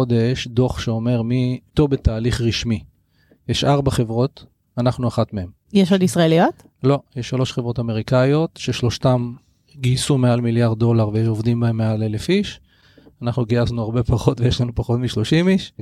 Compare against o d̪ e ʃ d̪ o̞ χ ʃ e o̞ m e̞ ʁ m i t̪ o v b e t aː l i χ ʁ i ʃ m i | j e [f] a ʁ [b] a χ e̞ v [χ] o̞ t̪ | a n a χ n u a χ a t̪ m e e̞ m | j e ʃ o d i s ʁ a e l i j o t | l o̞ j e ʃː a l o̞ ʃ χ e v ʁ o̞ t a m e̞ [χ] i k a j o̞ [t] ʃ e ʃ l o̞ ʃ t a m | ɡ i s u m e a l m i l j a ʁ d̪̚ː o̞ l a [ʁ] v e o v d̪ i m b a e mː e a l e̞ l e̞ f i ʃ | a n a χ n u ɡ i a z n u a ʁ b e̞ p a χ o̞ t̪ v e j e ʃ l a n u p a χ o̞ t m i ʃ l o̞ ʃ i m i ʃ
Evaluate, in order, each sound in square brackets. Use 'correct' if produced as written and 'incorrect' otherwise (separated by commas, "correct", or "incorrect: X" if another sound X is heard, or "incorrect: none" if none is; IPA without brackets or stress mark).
incorrect: ʃ, correct, incorrect: ʁ, incorrect: ʁ, correct, correct